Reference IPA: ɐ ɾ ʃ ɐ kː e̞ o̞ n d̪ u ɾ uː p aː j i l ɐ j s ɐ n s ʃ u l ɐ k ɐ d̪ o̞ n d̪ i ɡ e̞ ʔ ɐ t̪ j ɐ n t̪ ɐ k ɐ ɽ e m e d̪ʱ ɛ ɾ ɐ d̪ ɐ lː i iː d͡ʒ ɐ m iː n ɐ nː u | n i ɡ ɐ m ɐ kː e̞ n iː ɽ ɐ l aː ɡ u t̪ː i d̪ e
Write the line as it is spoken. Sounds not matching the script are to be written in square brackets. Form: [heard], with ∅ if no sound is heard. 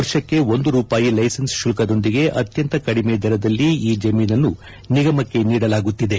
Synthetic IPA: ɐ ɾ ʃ ɐ kː e̞ o̞ n d̪ u ɾ uː p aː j i l ɐ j s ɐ n s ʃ u l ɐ k ɐ d̪ o̞ n d̪ i ɡ e̞ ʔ ɐ t̪ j ɐ n t̪ ɐ k ɐ ɽ [i] m e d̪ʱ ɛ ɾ ɐ d̪ ɐ lː i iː d͡ʒ ɐ m iː n ɐ nː u | n i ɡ ɐ m ɐ kː e̞ n iː ɽ ɐ l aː ɡ u t̪ː i d̪ e